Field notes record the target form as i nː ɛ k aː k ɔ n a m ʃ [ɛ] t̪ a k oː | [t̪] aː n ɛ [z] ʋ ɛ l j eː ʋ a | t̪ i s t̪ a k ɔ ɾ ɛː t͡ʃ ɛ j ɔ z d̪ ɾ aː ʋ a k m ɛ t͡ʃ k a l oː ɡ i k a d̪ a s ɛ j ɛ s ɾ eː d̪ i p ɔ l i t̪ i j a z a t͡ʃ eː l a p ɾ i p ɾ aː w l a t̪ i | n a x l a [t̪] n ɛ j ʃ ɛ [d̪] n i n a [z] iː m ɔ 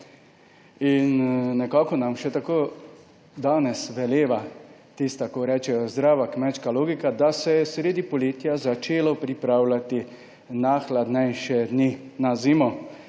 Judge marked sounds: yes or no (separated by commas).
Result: yes, no, no, no, yes, yes